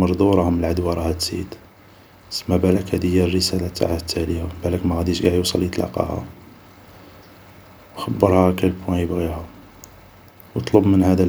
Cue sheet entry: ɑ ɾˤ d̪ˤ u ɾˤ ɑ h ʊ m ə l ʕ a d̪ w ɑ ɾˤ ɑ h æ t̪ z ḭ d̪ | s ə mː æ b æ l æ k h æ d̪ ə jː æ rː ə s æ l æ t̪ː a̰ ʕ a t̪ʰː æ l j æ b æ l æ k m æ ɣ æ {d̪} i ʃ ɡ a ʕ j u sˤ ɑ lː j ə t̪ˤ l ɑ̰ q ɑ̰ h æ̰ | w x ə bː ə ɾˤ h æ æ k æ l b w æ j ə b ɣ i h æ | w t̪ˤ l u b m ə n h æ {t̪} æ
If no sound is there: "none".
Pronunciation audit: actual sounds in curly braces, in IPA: d̪, d̪

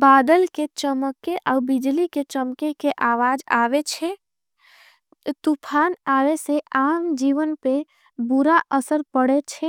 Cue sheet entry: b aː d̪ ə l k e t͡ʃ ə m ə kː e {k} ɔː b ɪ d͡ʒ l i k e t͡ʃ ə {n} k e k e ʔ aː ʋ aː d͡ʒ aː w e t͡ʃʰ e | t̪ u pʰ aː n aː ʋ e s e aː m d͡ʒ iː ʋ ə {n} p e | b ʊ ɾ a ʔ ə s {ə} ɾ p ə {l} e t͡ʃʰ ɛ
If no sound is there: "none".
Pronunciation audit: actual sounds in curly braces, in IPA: ʔ, m, n, ə, ɽ

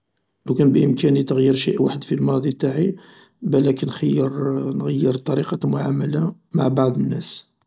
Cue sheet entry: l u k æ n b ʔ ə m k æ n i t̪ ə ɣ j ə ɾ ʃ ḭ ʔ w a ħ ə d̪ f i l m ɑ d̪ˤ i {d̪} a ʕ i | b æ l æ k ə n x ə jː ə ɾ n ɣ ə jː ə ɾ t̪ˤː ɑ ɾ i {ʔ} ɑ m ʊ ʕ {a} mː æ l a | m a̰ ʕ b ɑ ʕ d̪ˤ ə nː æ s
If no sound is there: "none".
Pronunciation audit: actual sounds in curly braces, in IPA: t̪, q, a

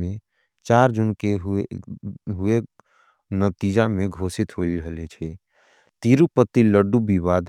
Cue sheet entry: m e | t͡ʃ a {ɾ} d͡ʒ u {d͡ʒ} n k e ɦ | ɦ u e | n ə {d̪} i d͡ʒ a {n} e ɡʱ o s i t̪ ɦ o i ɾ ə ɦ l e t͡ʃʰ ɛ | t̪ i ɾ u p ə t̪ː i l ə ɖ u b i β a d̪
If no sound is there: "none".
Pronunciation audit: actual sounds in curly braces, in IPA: ɾ, none, t̪, m

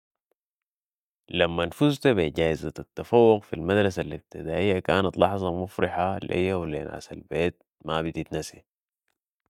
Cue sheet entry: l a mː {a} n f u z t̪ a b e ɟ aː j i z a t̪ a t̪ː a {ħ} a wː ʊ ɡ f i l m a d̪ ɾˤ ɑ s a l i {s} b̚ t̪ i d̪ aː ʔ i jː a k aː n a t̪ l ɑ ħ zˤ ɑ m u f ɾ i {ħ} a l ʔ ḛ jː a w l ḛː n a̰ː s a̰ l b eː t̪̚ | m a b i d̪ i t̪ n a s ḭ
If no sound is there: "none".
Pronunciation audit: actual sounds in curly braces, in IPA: a, f, none, ħ

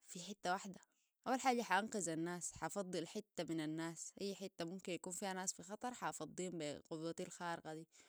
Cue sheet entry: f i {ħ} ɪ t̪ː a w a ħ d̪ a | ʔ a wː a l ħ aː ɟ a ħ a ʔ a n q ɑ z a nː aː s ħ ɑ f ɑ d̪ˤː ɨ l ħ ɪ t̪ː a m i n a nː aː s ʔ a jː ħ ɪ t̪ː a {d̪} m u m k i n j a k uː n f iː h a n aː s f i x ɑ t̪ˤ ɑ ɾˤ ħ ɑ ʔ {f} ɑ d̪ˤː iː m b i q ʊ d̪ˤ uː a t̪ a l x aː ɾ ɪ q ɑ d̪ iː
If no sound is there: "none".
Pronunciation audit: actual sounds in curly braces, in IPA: ħ, none, f

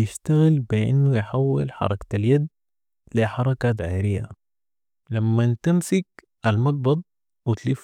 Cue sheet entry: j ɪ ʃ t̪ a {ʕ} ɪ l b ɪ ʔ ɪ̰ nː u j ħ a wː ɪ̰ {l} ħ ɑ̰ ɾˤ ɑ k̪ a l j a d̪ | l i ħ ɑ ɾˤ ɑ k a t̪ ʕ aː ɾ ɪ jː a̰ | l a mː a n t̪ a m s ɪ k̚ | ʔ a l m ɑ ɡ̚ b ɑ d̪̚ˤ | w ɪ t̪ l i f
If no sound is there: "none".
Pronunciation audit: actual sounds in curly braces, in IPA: ɣ, l

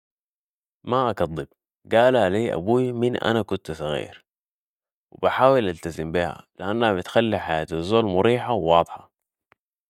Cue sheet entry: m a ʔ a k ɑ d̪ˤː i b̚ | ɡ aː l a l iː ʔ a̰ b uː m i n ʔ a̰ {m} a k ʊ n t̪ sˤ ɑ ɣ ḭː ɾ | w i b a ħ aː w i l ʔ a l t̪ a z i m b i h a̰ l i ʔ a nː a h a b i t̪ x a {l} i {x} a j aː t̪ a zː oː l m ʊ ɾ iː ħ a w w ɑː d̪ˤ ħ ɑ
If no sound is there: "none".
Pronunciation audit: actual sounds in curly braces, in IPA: n, lː, ħ

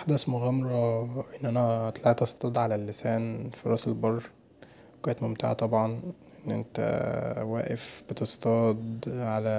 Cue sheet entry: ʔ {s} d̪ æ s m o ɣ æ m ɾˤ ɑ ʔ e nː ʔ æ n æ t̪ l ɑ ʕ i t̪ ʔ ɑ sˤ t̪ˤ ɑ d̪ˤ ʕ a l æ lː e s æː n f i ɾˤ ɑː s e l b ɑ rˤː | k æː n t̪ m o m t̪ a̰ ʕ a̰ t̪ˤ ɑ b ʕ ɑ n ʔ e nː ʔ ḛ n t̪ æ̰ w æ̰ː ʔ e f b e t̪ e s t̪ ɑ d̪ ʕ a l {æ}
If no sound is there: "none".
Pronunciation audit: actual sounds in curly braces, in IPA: ħ, æ

